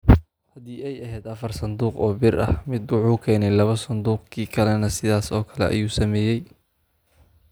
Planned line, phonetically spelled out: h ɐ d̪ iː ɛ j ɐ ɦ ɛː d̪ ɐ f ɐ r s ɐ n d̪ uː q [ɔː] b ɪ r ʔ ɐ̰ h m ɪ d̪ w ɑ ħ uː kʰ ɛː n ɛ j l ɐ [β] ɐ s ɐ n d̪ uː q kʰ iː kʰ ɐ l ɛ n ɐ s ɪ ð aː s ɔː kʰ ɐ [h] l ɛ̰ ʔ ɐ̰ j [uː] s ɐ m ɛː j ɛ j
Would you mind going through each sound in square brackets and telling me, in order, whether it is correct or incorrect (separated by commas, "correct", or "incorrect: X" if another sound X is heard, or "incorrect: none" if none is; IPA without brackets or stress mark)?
correct, correct, incorrect: none, correct